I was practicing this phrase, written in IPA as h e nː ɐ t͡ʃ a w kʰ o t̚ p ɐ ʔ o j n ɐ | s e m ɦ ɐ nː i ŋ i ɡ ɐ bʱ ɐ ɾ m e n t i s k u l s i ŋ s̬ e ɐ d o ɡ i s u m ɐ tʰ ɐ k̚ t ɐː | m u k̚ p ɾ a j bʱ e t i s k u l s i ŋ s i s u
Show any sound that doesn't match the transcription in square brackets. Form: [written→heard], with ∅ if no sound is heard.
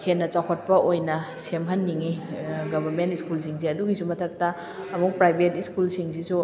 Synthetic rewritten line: h e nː ɐ t͡ʃ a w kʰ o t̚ p ɐ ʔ o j n ɐ | s e m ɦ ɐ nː i ŋ i ɡ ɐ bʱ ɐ ɾ m e n t i s k u l s i ŋ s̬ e ɐ d [o→u] ɡ i s u m ɐ tʰ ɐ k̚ t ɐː | m u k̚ p ɾ a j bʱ e t i s k u l s i ŋ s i s u

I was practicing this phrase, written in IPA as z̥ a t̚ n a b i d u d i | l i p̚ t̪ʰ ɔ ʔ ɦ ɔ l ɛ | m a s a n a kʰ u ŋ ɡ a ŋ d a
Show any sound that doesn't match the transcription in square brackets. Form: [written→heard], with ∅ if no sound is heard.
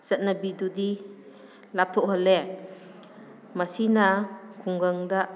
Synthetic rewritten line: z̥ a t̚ n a b i d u d i | l [i→a] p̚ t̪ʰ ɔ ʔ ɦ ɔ l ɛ | m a s [a→i] n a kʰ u ŋ ɡ a ŋ d a

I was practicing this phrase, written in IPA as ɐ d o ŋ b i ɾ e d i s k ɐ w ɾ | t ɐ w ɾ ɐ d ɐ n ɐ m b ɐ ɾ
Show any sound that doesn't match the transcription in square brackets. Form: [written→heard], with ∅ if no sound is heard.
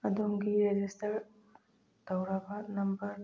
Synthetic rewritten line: ɐ d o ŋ [b→ɡ] i ɾ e [d→d͡ʒ] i s [k→t] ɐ [w→∅] ɾ | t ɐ w ɾ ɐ [d→b] ɐ n ɐ m b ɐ ɾ

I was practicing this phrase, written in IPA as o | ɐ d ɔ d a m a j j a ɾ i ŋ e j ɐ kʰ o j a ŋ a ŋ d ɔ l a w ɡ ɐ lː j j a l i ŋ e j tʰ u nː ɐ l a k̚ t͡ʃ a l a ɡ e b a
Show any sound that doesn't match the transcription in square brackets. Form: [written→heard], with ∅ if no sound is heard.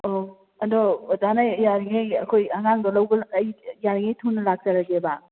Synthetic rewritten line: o | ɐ d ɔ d a [m→n] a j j a ɾ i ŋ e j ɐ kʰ o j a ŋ a ŋ d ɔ l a w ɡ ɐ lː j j a [l→ɾ] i ŋ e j tʰ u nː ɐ l a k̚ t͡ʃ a [l→ɾ] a ɡ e b a

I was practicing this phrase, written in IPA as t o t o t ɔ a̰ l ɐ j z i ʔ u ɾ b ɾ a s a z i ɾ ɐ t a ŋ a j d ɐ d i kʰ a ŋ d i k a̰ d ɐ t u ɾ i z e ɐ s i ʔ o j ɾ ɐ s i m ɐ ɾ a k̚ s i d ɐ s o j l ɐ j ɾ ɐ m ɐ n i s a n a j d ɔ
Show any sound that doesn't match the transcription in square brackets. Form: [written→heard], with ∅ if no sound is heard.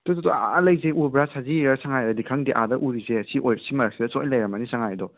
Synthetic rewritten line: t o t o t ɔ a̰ l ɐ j z [i→e] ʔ u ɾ b ɾ a s a z i ɾ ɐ [t→s] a ŋ a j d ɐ d i kʰ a ŋ d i [k→ʔ] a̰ d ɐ [t→ʔ] u ɾ i z e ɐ s i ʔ o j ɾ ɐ s i m ɐ ɾ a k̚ s i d ɐ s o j l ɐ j ɾ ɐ m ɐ n i s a [n→ŋ] a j d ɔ

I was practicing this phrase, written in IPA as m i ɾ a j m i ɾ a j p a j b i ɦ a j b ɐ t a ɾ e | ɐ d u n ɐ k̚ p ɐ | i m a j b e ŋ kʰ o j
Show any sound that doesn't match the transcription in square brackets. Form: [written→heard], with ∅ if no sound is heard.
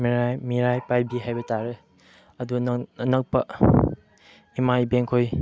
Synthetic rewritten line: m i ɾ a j m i ɾ a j p a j b i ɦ a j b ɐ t a ɾ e | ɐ d u n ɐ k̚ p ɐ | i m a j b e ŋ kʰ o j

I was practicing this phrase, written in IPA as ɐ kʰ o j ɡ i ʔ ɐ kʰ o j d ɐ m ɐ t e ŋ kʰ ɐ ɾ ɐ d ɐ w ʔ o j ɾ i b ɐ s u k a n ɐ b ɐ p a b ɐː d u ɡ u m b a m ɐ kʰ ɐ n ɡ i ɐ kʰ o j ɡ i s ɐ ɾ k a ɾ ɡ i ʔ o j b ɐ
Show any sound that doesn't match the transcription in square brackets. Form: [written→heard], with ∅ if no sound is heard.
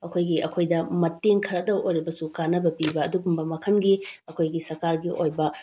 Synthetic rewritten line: ɐ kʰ o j ɡ i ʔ ɐ kʰ o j d ɐ m ɐ t e ŋ kʰ ɐ ɾ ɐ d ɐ w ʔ o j ɾ i b ɐ s u k a n ɐ b ɐ p [a→i] b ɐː d u ɡ u m b [a→ɐ] m ɐ kʰ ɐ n ɡ i ɐ kʰ o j ɡ i s ɐ ɾ k a ɾ ɡ i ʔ o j b ɐ

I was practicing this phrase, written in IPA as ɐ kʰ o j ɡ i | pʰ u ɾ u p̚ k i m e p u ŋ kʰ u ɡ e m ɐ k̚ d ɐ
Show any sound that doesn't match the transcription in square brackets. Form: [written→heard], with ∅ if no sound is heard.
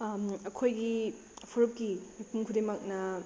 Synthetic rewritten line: ɐ kʰ o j ɡ i | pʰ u ɾ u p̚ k i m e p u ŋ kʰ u [ɡ→d] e m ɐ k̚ [d→n] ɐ

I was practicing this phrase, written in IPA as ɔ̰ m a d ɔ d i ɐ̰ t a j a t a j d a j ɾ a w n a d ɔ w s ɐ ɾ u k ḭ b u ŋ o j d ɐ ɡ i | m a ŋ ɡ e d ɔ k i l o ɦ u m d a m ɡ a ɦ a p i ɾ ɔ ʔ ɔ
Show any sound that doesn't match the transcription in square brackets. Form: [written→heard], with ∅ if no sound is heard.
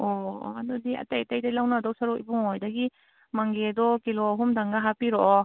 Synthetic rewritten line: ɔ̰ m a d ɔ d i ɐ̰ t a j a t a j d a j [ɾ→l] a w n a d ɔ w s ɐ ɾ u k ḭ b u ŋ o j d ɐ ɡ i | m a ŋ ɡ e d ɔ k i l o ɦ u m d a [m→ŋ] ɡ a ɦ a p i ɾ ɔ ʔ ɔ

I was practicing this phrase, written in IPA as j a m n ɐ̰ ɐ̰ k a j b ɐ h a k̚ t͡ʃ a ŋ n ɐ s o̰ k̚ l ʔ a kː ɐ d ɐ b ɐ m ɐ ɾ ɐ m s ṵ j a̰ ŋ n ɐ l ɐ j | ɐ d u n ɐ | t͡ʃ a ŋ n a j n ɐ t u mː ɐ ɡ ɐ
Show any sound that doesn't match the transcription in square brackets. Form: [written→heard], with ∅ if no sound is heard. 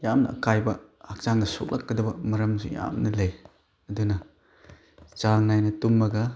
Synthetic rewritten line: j a m n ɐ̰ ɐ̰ k a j b ɐ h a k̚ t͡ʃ a ŋ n ɐ s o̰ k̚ l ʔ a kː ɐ d ɐ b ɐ m ɐ ɾ ɐ m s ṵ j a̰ [ŋ→m] n ɐ l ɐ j | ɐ d u n ɐ | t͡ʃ a ŋ n a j n ɐ t u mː ɐ ɡ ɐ

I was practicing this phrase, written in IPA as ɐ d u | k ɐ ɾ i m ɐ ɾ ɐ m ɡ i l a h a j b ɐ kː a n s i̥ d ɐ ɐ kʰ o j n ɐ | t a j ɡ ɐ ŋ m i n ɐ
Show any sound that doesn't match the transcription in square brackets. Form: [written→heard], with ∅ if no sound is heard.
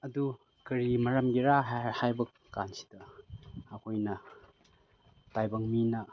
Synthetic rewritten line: ɐ d u | k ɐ ɾ i m ɐ ɾ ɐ m ɡ i [l→ɾ] a h a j b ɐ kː a n s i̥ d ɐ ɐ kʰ o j n ɐ | t a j [ɡ→b] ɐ ŋ m i n ɐ

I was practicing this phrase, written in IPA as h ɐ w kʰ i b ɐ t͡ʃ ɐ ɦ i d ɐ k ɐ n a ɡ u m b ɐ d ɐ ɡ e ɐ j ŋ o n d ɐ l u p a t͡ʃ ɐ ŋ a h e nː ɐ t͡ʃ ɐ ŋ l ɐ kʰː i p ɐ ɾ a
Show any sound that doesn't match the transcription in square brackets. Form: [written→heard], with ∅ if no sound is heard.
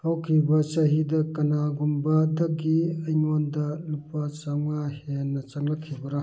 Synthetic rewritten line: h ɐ w kʰ i b ɐ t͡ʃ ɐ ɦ i d ɐ k ɐ n a ɡ u m b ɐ d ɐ ɡ [e→i] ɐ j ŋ o n d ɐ l u p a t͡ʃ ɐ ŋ a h e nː ɐ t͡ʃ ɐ ŋ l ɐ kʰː i [p→b] ɐ ɾ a

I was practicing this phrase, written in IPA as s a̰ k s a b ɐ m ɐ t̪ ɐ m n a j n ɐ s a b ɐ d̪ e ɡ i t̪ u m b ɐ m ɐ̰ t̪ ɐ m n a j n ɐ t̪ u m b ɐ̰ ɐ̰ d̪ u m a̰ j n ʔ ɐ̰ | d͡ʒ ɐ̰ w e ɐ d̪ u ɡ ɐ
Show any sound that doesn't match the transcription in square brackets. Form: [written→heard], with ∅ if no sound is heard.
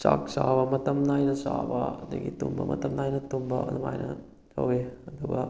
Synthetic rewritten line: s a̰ k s a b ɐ m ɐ t̪ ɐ m n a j n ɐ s a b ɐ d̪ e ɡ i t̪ u m b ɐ m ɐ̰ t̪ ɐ m n a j n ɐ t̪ u m b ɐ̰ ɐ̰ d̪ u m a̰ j n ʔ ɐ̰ | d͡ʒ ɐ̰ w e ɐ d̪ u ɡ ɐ

